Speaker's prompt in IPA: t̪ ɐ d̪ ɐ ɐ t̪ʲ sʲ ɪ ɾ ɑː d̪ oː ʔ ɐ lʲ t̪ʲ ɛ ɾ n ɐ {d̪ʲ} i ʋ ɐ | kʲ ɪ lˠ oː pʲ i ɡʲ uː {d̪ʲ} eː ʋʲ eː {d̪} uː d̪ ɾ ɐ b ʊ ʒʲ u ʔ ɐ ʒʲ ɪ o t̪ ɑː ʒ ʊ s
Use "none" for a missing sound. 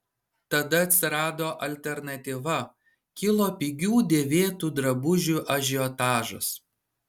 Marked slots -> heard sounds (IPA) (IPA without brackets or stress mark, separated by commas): t̪ʲ, d̪ʲ, t̪